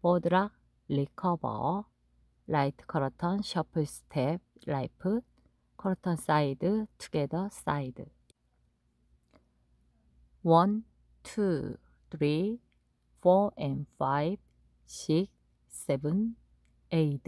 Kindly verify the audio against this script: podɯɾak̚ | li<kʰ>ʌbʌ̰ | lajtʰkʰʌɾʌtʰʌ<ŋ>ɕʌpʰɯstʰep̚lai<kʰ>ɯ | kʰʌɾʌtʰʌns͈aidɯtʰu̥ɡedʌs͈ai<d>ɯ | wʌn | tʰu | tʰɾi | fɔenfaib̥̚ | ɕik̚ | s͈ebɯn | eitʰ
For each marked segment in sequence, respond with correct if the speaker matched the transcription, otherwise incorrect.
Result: correct, incorrect: n, incorrect: pʰ, correct

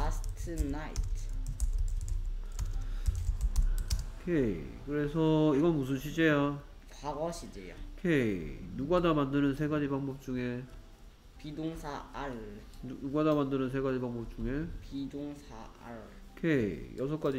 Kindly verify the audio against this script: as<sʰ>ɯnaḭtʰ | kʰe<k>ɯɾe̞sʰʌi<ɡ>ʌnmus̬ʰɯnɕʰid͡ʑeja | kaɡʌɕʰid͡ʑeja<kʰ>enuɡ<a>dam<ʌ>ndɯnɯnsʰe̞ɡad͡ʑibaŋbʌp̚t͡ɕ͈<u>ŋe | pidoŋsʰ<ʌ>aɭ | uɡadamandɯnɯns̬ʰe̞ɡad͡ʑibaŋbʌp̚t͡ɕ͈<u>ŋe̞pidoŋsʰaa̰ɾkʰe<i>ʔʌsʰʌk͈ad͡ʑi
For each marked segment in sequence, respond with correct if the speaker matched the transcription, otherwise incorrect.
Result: incorrect: tʰ, correct, correct, correct, correct, incorrect: a, correct, incorrect: a, correct, incorrect: j

